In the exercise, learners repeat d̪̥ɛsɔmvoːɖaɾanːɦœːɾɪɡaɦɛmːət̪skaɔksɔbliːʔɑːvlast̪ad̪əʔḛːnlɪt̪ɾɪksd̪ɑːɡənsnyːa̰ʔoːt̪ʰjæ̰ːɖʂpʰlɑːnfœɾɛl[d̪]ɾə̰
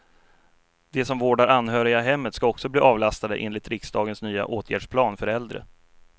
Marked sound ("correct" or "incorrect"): correct